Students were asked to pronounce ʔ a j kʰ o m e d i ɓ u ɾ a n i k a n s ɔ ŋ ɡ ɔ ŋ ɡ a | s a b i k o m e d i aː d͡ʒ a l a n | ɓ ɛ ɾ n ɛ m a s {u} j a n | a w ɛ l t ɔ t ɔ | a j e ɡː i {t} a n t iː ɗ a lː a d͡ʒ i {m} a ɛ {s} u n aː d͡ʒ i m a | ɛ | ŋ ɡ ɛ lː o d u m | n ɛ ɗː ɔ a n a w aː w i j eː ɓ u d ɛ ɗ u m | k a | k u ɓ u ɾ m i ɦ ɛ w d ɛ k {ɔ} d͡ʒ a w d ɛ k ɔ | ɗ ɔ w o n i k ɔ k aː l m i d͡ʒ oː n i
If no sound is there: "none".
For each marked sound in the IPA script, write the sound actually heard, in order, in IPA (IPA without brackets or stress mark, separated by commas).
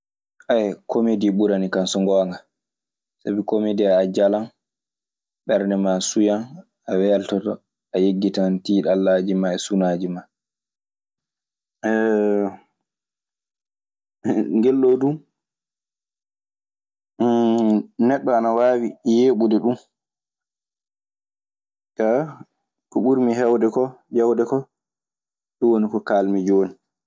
u, t, m, s, ɔ